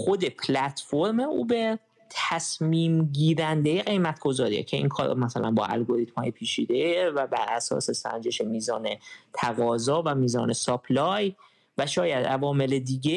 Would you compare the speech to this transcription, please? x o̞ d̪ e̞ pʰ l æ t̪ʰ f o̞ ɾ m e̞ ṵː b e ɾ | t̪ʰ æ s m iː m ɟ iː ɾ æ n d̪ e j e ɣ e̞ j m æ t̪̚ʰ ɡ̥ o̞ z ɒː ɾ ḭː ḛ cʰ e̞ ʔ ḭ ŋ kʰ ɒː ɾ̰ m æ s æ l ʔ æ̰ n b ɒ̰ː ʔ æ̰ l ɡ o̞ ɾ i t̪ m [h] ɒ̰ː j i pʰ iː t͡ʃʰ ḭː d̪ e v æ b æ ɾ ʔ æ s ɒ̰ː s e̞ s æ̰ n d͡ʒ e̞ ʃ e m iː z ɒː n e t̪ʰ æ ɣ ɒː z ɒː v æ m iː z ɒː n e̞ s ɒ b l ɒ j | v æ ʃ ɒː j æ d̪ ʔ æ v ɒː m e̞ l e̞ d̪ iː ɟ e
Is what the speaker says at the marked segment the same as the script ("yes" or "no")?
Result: yes